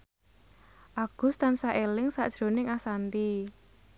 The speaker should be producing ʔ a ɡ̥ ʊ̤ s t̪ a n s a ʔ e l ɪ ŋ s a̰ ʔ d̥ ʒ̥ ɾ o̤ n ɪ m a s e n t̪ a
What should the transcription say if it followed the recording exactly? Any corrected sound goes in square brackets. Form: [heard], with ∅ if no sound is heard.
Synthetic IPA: ʔ a ɡ̥ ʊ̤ s t̪ a n s a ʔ e l ɪ ŋ s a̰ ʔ d̥ ʒ̥ ɾ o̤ n ɪ [ŋ] a s [a] n t̪ [i]